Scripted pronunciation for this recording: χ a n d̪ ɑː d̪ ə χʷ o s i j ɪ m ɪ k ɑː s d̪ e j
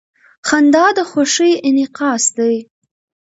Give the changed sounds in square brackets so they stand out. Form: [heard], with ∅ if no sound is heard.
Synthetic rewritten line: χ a n d̪ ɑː d̪ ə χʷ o [ʂ] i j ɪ [n] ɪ [q] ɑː s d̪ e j